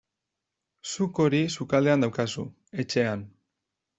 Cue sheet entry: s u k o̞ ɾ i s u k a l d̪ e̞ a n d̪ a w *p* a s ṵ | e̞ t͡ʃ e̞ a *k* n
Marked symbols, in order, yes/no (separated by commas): no, no